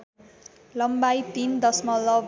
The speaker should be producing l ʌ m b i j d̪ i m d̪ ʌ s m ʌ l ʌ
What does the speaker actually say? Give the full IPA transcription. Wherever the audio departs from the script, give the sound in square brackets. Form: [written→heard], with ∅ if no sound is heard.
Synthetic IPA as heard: l ʌ m b [i→a] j [d̪→t̪] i [m→n] d̪ ʌ s m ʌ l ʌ